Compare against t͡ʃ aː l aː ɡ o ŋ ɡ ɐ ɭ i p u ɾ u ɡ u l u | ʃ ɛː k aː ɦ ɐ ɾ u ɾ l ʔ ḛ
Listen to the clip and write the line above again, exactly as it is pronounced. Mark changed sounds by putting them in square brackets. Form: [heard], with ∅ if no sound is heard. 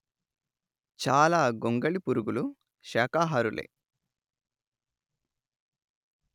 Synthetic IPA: t͡ʃ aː l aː ɡ o ŋ ɡ ɐ ɭ i p u ɾ u ɡ u l u | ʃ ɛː k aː ɦ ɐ ɾ u [∅] l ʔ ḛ